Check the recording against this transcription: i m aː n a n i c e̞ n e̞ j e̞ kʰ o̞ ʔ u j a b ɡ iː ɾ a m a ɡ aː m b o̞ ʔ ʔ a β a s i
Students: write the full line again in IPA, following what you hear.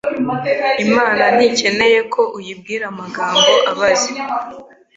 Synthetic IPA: i m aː n a n i c e̞ n e̞ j e̞ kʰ o̞ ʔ u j i b ɡ iː ɾ a m a ɡ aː m b o̞ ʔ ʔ a β a z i